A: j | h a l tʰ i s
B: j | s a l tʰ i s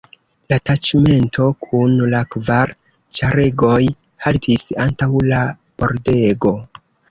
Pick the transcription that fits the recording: A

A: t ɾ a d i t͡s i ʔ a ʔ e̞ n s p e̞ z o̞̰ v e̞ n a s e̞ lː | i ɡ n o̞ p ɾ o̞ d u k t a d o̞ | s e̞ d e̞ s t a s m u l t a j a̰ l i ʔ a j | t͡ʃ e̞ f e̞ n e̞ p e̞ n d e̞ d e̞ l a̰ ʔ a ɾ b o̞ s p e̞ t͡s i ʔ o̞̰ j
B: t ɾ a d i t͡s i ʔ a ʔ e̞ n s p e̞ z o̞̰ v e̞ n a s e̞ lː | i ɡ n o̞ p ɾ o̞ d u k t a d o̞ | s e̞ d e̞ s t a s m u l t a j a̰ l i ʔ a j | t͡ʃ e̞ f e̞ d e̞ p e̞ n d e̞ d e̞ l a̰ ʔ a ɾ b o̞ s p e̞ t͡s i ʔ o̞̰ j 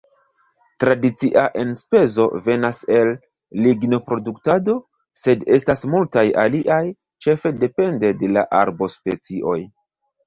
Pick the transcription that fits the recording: B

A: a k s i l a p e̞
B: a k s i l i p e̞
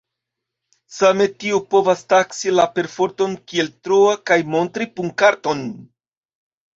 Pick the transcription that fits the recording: A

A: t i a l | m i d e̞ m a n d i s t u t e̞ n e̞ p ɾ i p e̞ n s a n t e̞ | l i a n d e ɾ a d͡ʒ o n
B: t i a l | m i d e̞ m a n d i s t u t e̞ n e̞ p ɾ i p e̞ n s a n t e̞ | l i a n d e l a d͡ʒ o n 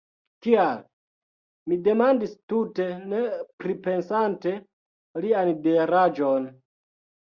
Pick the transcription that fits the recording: A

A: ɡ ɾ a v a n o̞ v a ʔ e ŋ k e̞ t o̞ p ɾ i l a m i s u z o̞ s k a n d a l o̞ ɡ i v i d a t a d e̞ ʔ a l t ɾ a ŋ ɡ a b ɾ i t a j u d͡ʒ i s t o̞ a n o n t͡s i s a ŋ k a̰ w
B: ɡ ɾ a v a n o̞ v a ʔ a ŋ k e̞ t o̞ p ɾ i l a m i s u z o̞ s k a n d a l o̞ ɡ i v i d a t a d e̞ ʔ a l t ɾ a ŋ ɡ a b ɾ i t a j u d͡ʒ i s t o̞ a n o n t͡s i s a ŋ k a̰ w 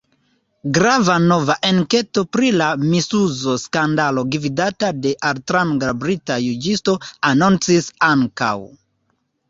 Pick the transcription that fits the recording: A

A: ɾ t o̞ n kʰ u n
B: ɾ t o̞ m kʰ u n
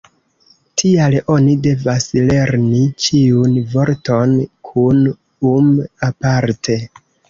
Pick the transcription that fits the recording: A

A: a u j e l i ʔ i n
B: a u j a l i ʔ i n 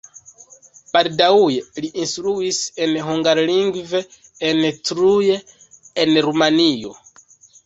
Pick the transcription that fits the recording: A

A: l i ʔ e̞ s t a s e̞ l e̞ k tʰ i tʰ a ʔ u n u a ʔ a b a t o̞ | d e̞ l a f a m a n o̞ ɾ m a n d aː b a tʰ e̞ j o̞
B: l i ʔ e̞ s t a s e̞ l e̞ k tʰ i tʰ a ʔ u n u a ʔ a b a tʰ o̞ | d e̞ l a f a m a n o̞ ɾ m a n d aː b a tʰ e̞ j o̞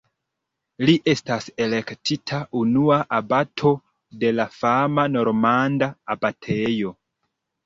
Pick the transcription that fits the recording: B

